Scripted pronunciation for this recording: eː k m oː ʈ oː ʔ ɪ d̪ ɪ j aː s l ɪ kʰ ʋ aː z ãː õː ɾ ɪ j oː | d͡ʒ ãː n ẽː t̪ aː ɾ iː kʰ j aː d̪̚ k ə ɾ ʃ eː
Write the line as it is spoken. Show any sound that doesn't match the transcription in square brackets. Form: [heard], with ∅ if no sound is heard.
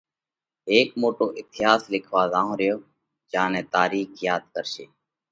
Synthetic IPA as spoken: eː k m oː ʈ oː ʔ ɪ [t̪] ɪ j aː s l ɪ kʰ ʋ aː z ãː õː ɾ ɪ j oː | d͡ʒ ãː n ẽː t̪ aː ɾ iː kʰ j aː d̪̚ k ə ɾ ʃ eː